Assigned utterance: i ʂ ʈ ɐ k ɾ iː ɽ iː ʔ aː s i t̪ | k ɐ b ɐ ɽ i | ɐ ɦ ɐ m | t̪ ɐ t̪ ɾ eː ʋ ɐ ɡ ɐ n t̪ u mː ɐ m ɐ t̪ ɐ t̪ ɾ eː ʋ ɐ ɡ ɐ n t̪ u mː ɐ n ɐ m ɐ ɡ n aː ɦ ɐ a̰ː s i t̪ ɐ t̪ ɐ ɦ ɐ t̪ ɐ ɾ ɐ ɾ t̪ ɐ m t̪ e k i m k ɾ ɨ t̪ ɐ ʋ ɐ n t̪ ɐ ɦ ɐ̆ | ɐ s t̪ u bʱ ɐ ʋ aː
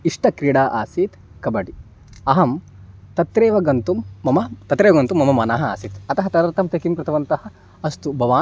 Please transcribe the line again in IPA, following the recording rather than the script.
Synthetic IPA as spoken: i ʂ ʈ ɐ k ɾ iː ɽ aː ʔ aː s i t̪ | k ɐ b ɐ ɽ i | ɐ ɦ ɐ m | t̪ ɐ t̪ ɾ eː ʋ ɐ ɡ ɐ n t̪ u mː ɐ m ɐ t̪ ɐ t̪ ɾ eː ʋ ɐ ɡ ɐ n t̪ u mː ɐ m ɐ m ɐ n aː ɦ ɐ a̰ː s i t̪ ɐ t̪ ɐ ɦ ɐ t̪ ɐ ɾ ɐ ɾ t̪ ɐ m t̪ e k i m k ɾ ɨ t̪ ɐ ʋ ɐ n t̪ ɐ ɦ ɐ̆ | ɐ s t̪ u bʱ ɐ ʋ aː